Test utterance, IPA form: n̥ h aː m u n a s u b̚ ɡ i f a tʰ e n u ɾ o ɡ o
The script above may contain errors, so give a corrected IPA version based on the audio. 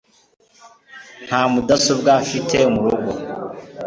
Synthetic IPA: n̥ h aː m u d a s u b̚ ɡ a f i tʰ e m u ɾ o ɡ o